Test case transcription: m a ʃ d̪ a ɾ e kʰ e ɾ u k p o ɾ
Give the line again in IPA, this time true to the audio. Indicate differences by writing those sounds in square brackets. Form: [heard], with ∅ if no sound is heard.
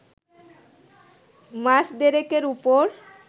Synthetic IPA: m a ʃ d̪ [e] ɾ e [k] e ɾ u [∅] p o ɾ